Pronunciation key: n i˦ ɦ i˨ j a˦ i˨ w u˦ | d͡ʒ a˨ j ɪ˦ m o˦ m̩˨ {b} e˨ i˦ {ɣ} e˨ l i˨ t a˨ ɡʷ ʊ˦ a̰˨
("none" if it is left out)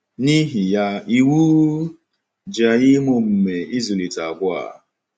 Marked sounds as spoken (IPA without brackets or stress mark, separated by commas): m, z